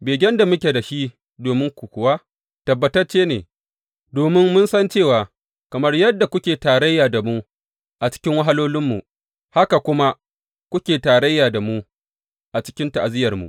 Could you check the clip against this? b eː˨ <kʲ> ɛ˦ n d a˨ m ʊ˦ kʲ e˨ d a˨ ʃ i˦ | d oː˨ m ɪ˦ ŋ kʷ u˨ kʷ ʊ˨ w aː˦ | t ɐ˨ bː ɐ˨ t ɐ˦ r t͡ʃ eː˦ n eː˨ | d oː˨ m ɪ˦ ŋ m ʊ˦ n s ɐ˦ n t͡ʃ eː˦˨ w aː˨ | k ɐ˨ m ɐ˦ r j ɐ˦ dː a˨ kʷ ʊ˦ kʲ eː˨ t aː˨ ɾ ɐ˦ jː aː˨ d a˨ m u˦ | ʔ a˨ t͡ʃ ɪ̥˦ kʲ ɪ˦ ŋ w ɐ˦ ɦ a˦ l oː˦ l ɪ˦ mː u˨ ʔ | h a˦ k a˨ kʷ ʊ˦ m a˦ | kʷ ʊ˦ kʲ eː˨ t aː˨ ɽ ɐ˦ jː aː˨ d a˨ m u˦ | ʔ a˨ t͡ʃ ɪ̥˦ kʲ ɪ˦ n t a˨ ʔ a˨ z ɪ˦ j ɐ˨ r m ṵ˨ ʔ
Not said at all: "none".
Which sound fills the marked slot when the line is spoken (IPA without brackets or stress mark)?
ɡʲ